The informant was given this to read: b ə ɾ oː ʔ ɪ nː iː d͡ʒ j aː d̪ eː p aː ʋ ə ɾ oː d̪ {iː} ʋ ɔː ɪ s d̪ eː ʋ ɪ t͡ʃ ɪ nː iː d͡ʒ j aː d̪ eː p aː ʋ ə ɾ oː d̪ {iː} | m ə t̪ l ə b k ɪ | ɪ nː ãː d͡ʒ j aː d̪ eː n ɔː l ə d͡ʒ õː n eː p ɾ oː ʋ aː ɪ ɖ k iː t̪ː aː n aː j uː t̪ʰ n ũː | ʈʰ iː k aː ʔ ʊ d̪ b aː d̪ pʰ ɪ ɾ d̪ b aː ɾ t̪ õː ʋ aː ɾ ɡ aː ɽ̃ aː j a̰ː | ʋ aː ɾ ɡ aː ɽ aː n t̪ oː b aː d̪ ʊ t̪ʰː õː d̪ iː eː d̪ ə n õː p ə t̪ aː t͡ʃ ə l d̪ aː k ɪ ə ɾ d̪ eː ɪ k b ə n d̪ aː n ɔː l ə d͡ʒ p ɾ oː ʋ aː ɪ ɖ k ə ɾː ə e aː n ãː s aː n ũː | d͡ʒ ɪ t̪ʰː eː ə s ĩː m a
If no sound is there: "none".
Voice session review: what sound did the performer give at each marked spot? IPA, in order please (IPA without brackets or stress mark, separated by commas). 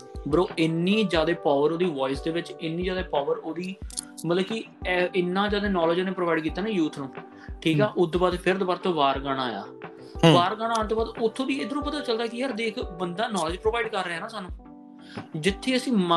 iː, iː